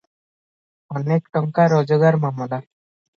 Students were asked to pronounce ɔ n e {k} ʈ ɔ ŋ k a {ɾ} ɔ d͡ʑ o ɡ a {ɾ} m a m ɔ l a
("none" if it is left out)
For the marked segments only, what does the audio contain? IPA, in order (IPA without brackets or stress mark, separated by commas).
k, ɾ, ɾ